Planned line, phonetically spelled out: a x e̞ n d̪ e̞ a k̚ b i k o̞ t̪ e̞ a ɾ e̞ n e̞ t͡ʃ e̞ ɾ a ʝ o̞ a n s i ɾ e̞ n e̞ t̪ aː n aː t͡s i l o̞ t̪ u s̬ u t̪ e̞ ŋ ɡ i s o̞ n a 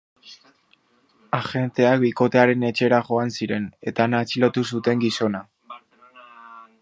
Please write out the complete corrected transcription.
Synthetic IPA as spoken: a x e̞ n t̪ e̞ a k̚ b i k o̞ t̪ e̞ a ɾ e̞ n e̞ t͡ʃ e̞ ɾ a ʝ o̞ a n s i ɾ e̞ n e̞ t̪ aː n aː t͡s i l o̞ t̪ u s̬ u t̪ e̞ ŋ ɡ i s o̞ n a

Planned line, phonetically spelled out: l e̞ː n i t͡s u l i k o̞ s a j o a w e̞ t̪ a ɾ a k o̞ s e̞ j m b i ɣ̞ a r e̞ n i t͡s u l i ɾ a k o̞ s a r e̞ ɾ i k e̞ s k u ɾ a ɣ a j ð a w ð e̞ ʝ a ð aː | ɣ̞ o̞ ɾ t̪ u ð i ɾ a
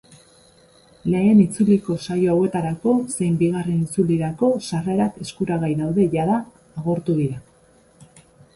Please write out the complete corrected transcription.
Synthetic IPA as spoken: l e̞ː n i t͡s u l i k o̞ s a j o a w e̞ t̪ a ɾ a k o̞ s e̞ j m b i ɣ̞ a r e̞ n i t͡s u l i ɾ a k o̞ s a r e̞ ɾ a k e̞ s k u ɾ a ɣ a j ð a w ð e̞ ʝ a ð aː | ɣ̞ o̞ ɾ t̪ u ð i ɾ a

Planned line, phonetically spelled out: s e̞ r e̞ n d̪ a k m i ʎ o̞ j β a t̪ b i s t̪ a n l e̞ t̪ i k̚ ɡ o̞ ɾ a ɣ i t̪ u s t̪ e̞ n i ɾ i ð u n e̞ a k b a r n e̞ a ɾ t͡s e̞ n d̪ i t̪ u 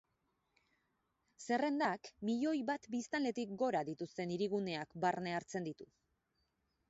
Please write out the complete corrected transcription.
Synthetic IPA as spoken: s e̞ r e̞ n d̪ a k m i ʎ o̞ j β a t̪ b i s t̪ a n l e̞ t̪ i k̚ ɡ o̞ ɾ a ð i t̪ u s t̪ e̞ n i ɾ i ɣ u n e̞ a k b a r n e̞ a ɾ t͡s e̞ n d̪ i t̪ u

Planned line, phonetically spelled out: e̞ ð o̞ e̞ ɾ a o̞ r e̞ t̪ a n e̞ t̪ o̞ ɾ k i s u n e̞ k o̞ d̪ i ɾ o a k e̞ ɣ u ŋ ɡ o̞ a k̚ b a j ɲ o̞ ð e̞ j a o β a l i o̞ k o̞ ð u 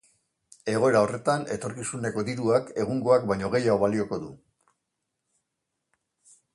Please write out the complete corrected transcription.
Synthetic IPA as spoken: e̞ ɣ o̞ e̞ ɾ a o̞ r e̞ t̪ a n e̞ t̪ o̞ ɾ k i s u n e̞ k o̞ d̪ i ɾ u a k e̞ ɣ u ŋ ɡ o̞ a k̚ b a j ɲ o̞ ɣ e̞ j a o β a l i o̞ k o̞ ð u

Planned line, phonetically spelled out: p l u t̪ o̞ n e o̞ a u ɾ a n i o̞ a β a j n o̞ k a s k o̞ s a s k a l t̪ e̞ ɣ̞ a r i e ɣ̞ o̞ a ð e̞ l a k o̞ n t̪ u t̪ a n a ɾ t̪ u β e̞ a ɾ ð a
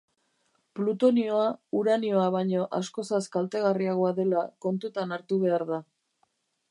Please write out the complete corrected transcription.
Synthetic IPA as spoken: p l u t̪ o̞ n i o̞ a u ɾ a n i o̞ a β a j ɲ o̞ ʔ a s k o̞ s a s k a l t̪ e̞ ɣ̞ a r i a ɣ̞ o̞ a ð e̞ l a k o̞ n t̪ u t̪ a n a ɾ t̪ u β e̞ a ɾ ð a

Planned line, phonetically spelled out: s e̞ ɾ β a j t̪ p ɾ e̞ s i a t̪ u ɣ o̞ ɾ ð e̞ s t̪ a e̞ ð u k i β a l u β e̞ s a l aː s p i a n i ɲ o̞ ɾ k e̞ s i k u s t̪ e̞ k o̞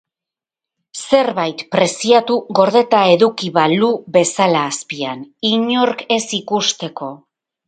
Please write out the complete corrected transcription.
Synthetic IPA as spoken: s e̞ ɾ β a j t̪ p ɾ e̞ s i a t̪ u ɣ o̞ ɾ ð e̞ t̪ a e̞ ð u k i β a l u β e̞ s a l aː s p i a n i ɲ o̞ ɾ k e̞ s i k u s t̪ e̞ k o̞

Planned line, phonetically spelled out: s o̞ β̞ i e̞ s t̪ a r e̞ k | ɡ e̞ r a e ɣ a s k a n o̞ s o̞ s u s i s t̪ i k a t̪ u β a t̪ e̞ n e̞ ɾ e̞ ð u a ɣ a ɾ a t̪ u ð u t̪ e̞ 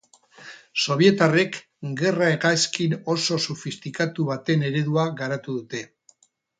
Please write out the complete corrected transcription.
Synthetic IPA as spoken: s o̞ β̞ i e̞ t̪ a r e̞ k | ɡ e̞ r a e ɣ a s k i n o̞ s o̞ s u f i s t̪ i k a t̪ u β a t̪ e̞ n e̞ ɾ e̞ ð u a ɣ a ɾ a t̪ u ð u t̪ e̞

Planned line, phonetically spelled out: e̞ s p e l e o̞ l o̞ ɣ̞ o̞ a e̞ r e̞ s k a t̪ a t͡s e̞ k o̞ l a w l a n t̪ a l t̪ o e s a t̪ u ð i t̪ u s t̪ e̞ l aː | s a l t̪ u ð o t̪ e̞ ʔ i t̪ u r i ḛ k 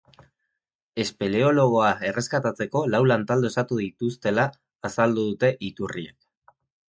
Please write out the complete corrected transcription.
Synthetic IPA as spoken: e̞ s p e l e o̞ l o̞ ɣ̞ o̞ a e̞ r e̞ s k a t̪ a t͡s e̞ k o̞ l a w l a n t̪ a l d̪ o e s a t̪ u ð i t̪ u s t̪ e̞ l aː | s a l d̪ u ð u t̪ e̞ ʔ i t̪ u r i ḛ k

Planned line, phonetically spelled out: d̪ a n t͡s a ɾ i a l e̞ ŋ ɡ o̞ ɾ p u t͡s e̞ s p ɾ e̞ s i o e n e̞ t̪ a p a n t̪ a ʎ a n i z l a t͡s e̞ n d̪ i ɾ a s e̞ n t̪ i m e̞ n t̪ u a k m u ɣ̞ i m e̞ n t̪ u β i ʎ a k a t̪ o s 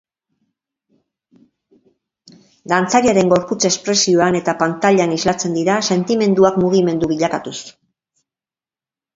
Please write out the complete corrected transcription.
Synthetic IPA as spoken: d̪ a n t͡s a ɾ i a ɾ e̞ ŋ ɡ o̞ ɾ p u t͡s e̞ s p ɾ e̞ s i o a n e̞ t̪ a p a n t̪ a ʎ a n i z l a t͡s e̞ n d̪ i ɾ a s e̞ n t̪ i m e̞ n d̪ u a k m u ɣ̞ i m e̞ n d̪ u β i ʎ a k a t̪ u s

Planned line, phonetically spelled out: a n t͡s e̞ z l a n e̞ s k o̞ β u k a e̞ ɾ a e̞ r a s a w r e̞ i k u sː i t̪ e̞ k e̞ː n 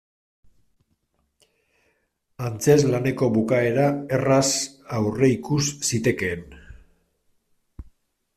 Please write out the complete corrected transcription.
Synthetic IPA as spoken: a n t͡s e̞ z l a n e̞ k o̞ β u k a e̞ ɾ a e̞ r a s a w r e̞ i k u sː i t̪ e̞ k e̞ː n

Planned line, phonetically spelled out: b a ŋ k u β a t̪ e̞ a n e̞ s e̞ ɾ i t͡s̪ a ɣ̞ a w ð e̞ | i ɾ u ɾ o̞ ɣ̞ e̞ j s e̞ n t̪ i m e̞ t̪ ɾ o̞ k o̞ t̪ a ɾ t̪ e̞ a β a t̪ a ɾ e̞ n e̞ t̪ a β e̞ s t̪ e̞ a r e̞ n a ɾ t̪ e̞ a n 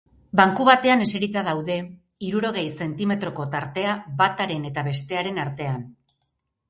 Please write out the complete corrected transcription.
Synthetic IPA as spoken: b a ŋ k u β a t̪ e̞ a n e̞ s e̞ ɾ i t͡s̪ a ð̞ a w ð e̞ | i ɾ u ɾ o̞ ɣ̞ e̞ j s e̞ n t̪ i m e̞ t̪ ɾ o̞ k o̞ t̪ a ɾ t̪ e̞ a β a t̪ a ɾ e̞ n e̞ t̪ a β e̞ s t̪ e̞ a ɾ e̞ n a ɾ t̪ e̞ a n

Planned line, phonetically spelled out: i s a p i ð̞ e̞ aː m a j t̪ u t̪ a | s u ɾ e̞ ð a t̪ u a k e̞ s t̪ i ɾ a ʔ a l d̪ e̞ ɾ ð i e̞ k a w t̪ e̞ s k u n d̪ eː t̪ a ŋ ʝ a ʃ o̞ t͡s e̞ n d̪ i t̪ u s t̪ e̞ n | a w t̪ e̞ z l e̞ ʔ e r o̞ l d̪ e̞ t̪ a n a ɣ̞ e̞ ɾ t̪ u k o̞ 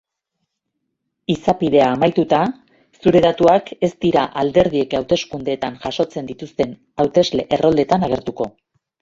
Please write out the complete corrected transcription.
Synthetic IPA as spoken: i s a p i ð̞ e̞ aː m a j t̪ u t̪ a | s u ɾ e̞ ð a t̪ u a k e̞ s t̪ i ɾ a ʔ a l d̪ e̞ ɾ ð i e̞ k a w t̪ e̞ s k u n d̪ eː t̪ a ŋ ʝ a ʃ o̞ t͡s e̞ n d̪ i t̪ u s t̪ e̞ n | a w t̪ e̞ z l e̞ ʔ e r o̞ l d̪ e̞ t̪ a n a ɣ̞ e̞ ɾ t̪ u k o̞

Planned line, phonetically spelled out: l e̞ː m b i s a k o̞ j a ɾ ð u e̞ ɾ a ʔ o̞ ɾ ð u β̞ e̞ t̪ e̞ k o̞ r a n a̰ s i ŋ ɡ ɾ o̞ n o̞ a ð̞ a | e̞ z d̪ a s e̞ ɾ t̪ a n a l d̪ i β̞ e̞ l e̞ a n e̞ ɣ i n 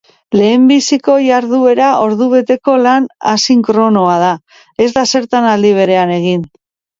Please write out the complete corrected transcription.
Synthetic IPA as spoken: l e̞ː m b i s i k o̞ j a ɾ ð u e̞ ɾ a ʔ o̞ ɾ ð u β̞ e̞ t̪ e̞ k o̞ l a n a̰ s i ŋ k ɾ o̞ n o̞ a ð̞ a | e̞ z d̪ a s e̞ ɾ t̪ a n a l d̪ i β̞ e̞ ɾ e̞ a n e̞ ɣ i n

